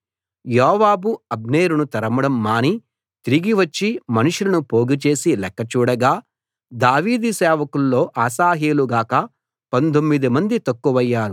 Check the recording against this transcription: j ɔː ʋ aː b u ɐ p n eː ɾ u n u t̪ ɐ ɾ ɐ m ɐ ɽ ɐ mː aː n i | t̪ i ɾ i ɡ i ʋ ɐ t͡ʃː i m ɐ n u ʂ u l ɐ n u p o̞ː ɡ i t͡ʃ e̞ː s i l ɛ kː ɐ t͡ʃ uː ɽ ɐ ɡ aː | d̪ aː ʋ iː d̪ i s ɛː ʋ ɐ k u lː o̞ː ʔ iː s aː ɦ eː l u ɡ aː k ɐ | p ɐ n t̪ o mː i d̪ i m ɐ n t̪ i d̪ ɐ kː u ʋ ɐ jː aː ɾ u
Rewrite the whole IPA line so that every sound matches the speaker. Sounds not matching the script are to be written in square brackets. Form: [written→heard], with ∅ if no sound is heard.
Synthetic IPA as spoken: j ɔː ʋ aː b u ɐ [p→b] n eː ɾ u n u t̪ ɐ ɾ ɐ m ɐ ɽ ɐ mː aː n i | t̪ i ɾ i ɡ i ʋ ɐ t͡ʃː i m ɐ n u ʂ u l ɐ n u p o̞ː ɡ i t͡ʃ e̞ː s i l ɛ kː ɐ t͡ʃ uː ɽ ɐ ɡ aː | d̪ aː ʋ iː d̪ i s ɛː ʋ ɐ k u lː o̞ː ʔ [iː→aː] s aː ɦ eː l u ɡ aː k ɐ | p ɐ n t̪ o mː i d̪ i m ɐ n [t̪→d̪] i [d̪→t̪] ɐ kː u ʋ ɐ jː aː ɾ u